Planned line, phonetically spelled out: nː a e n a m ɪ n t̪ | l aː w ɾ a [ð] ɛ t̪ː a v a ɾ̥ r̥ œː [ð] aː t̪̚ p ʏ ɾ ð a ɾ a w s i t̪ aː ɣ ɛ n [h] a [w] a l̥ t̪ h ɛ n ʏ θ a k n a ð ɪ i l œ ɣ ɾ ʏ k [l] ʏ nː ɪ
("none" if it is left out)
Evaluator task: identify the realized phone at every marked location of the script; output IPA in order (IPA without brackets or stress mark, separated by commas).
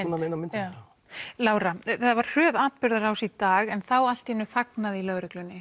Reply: θ, ð, θ, w, l